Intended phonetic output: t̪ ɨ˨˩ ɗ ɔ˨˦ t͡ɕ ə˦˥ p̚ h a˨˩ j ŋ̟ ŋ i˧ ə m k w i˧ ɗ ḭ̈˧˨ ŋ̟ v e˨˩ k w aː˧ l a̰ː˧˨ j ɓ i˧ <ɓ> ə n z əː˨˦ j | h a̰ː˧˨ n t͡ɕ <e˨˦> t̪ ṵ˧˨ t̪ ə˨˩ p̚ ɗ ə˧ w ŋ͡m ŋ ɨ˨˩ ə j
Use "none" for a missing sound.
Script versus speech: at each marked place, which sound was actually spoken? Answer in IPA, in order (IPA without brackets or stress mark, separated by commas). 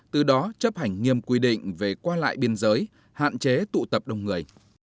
none, e˨˦